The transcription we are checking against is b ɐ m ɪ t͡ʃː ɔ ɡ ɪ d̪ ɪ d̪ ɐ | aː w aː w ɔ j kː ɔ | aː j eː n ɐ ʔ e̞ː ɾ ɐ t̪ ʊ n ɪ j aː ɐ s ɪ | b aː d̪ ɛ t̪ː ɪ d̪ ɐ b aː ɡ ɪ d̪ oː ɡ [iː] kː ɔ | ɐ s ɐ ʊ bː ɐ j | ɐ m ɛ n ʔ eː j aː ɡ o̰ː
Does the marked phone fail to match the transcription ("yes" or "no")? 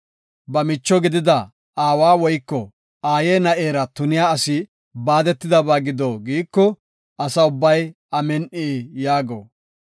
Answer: no